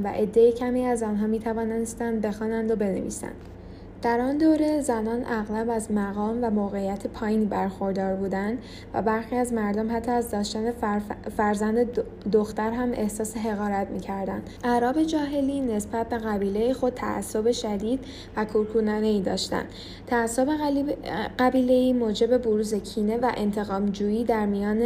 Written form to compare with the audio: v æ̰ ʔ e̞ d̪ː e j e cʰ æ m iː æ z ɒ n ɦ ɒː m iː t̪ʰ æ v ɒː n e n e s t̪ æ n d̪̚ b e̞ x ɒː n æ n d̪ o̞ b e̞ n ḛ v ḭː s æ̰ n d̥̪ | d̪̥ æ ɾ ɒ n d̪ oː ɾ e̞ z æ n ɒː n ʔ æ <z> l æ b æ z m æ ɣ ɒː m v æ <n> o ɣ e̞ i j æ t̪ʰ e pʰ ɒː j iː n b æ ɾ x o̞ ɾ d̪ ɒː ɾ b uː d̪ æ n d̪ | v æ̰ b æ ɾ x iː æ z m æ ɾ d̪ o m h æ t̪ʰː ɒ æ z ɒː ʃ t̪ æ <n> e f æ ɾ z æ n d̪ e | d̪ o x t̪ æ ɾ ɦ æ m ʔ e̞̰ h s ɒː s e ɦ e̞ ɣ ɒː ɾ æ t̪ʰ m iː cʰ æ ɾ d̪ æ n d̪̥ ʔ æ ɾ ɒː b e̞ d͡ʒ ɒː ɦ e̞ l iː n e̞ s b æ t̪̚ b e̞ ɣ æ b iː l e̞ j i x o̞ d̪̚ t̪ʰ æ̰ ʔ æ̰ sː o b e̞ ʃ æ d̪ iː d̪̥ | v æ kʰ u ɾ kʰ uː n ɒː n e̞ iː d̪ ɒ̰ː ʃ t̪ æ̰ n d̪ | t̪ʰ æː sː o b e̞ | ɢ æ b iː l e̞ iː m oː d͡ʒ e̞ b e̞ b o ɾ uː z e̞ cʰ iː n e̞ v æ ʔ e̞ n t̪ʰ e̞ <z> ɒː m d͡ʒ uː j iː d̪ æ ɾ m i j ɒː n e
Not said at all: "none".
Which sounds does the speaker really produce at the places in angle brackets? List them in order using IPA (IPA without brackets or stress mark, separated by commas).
ɣ, m, n, ɣ